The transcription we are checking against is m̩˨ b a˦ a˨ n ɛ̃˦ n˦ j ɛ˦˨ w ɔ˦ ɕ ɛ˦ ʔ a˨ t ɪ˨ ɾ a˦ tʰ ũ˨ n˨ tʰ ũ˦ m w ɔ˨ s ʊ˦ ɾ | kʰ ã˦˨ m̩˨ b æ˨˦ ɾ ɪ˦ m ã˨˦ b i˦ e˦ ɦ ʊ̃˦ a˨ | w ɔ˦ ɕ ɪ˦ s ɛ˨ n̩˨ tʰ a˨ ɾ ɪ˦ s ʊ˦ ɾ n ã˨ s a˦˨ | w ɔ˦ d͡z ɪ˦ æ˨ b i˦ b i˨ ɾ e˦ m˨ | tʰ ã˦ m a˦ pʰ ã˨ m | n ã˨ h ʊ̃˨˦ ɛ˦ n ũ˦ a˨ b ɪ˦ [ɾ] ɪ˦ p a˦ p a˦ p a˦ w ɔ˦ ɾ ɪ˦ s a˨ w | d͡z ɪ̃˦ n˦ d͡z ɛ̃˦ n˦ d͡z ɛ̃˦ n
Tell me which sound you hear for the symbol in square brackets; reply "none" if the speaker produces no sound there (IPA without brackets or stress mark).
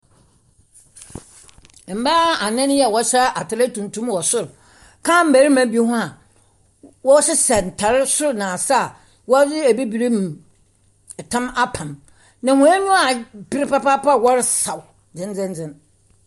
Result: ɾ